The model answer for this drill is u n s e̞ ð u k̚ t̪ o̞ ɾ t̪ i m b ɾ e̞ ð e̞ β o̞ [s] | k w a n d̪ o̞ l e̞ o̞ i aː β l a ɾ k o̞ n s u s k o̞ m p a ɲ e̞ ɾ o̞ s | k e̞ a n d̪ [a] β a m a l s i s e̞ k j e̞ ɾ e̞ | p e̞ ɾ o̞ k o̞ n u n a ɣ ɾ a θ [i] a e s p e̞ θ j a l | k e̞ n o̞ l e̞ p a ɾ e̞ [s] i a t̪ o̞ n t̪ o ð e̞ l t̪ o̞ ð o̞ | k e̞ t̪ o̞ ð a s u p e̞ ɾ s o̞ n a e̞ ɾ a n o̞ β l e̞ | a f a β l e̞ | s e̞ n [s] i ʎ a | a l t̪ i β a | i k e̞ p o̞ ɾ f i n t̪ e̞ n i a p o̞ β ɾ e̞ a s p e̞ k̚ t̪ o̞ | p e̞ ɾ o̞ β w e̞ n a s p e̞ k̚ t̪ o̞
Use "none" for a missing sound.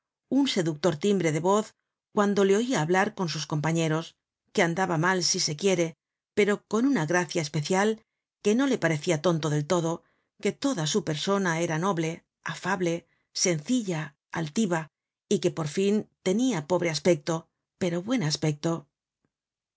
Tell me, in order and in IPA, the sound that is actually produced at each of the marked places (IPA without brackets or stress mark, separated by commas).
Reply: θ, a, j, θ, θ